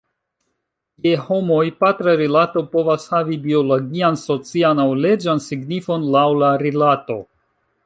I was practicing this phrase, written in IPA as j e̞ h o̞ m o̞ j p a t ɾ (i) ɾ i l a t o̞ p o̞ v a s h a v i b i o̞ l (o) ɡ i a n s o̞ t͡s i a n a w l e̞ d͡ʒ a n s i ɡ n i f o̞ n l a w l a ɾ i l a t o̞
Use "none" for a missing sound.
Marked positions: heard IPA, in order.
a, o

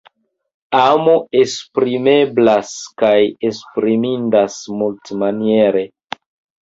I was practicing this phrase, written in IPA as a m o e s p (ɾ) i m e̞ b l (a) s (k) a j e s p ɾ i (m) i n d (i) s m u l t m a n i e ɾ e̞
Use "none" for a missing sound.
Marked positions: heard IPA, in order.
ɾ, a, k, m, a

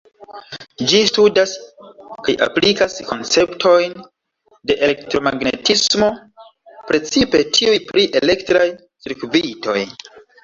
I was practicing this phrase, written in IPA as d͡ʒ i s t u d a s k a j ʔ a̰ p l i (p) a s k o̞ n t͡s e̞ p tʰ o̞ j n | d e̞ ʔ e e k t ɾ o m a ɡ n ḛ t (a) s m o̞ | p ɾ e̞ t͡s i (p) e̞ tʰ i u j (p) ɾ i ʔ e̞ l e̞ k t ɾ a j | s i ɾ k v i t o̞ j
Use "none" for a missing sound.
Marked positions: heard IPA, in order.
k, i, p, p

